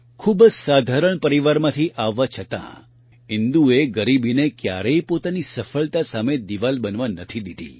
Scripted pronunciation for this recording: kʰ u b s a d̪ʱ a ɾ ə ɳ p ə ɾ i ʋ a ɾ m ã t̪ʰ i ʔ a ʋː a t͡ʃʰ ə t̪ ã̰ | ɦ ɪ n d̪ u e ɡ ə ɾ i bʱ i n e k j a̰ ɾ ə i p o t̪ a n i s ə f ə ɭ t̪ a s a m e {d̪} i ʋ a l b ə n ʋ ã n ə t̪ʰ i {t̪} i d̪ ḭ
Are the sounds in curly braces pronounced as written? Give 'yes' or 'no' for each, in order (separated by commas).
yes, no